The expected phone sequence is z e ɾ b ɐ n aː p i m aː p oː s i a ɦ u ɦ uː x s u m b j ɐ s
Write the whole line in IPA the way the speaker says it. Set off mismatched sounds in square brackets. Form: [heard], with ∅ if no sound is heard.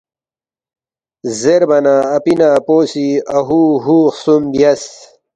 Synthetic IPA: z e ɾ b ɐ n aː p i [n] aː p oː s i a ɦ u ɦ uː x s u m b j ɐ s